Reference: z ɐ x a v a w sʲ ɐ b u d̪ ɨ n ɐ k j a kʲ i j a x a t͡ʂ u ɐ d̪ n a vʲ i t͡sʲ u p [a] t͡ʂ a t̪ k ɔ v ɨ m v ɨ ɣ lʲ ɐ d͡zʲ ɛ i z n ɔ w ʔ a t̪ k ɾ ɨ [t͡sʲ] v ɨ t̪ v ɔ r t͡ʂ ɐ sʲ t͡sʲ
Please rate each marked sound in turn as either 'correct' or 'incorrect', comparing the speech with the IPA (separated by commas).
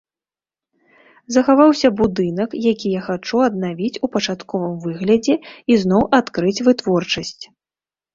incorrect, correct